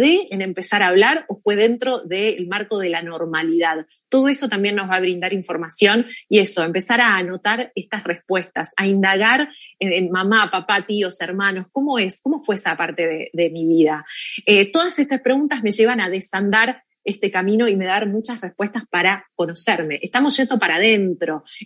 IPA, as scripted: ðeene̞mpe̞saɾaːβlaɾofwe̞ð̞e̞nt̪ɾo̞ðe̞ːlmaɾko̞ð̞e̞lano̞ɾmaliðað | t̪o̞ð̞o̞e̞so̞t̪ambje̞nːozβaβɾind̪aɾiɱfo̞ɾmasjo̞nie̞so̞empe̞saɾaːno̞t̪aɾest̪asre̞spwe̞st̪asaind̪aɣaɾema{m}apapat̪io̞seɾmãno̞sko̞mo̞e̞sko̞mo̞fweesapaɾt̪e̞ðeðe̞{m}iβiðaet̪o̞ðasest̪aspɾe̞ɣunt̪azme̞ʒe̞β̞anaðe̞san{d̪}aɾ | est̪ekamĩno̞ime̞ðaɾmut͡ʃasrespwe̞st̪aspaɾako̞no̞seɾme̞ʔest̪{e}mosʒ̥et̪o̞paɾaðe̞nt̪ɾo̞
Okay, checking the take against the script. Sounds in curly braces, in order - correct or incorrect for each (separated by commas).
correct, correct, correct, incorrect